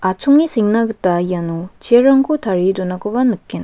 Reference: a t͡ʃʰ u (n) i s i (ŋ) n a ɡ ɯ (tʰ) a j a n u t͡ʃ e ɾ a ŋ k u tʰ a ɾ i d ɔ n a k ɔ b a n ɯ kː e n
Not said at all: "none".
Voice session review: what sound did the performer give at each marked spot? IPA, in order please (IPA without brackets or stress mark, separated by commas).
ŋ, ŋ, t